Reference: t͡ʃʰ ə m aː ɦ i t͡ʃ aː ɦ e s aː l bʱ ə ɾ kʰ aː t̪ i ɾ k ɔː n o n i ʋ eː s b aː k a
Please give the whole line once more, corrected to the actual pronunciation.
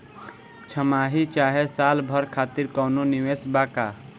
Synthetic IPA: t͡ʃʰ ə m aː ɦ i t͡ʃ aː ɦ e s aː l bʱ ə ɾ kʰ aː t̪ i ɾ k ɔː n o n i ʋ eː s b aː k a